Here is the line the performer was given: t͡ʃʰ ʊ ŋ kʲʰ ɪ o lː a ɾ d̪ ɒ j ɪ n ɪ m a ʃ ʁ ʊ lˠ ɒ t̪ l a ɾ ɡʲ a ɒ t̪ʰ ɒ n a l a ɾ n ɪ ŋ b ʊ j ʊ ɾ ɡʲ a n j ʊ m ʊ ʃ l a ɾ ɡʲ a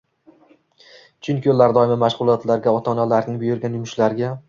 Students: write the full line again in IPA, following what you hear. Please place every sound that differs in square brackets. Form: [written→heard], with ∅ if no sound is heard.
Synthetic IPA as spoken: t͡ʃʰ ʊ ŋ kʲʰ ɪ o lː a ɾ d̪ ɒ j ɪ [n→m] ɪ m a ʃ ʁ ʊ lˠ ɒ t̪ l a ɾ ɡʲ a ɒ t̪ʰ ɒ n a l a ɾ n ɪ ŋ b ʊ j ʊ ɾ ɡʲ a n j ʊ m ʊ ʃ l a ɾ ɡʲ a